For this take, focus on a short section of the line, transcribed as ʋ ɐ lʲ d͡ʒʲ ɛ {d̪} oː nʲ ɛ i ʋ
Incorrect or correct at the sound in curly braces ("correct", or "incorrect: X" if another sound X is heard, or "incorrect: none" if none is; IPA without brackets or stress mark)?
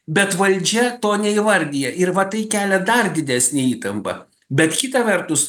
incorrect: t̪